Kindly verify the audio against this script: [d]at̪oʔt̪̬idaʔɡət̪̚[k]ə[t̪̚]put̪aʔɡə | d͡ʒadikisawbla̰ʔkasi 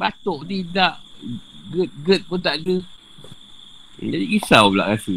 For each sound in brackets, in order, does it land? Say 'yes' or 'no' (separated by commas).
no, no, yes